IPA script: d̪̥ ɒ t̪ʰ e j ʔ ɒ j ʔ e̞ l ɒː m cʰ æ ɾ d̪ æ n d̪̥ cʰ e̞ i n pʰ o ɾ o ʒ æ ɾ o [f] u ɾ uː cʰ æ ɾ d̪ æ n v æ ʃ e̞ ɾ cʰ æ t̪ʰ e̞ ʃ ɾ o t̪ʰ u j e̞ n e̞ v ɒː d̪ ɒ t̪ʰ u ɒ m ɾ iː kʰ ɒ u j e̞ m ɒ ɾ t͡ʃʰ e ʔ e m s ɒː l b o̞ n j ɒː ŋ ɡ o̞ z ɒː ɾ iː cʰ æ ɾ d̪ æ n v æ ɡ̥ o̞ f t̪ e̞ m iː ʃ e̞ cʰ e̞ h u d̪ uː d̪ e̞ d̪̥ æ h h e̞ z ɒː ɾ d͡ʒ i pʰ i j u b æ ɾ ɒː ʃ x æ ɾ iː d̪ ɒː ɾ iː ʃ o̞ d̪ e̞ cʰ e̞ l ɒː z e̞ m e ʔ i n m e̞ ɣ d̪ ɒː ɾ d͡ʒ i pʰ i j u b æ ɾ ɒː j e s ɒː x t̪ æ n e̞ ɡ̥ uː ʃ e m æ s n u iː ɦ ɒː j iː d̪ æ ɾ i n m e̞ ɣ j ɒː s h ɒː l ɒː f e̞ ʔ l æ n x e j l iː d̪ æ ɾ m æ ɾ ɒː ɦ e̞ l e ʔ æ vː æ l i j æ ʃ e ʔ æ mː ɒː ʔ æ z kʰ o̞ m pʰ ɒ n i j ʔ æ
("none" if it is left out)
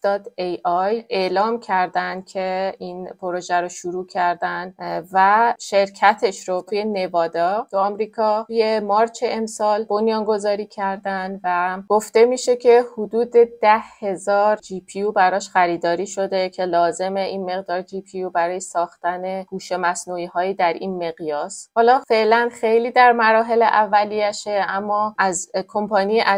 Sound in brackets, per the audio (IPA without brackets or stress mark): ʃ